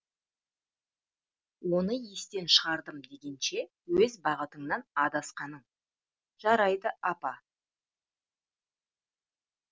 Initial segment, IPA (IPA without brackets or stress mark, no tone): w